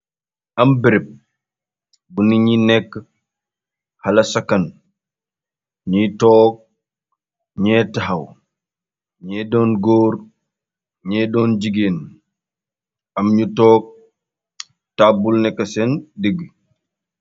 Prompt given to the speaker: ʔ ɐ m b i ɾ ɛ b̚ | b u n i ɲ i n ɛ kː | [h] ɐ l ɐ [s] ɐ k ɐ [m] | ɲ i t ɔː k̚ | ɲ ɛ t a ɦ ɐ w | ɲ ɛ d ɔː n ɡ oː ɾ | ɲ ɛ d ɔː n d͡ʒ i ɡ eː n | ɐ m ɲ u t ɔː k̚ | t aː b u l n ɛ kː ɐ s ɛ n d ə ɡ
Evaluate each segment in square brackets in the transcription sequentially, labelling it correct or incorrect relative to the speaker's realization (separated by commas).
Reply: correct, correct, incorrect